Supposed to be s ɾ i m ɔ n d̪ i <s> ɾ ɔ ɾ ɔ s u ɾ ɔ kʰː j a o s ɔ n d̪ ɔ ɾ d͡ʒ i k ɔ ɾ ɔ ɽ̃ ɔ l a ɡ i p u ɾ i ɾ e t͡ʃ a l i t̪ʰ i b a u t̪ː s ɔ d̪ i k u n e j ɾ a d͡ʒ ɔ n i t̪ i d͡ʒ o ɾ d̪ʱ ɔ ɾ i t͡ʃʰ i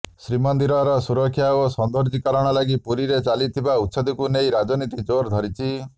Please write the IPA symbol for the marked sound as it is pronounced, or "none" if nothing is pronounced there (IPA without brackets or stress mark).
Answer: none